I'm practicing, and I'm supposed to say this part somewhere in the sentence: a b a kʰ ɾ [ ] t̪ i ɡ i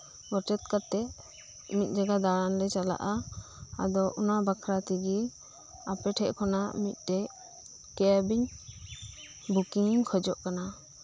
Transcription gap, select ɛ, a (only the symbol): a